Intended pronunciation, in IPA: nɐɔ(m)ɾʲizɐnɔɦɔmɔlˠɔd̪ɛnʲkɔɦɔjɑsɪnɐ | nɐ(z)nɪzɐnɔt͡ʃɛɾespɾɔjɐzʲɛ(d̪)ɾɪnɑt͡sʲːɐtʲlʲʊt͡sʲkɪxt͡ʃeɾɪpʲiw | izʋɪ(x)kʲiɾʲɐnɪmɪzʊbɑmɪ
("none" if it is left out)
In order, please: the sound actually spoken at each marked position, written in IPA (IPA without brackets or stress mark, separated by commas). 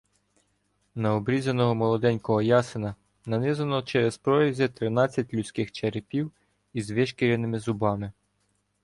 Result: b, none, t̪, ʃ